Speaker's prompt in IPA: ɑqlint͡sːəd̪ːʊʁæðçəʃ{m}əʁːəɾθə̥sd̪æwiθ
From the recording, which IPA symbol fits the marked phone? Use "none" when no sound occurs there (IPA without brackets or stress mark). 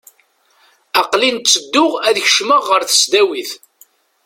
m